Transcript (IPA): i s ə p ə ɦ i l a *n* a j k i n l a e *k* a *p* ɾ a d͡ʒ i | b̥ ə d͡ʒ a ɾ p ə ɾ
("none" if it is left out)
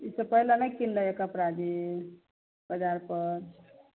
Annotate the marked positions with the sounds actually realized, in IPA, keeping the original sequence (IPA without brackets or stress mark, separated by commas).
n, k, p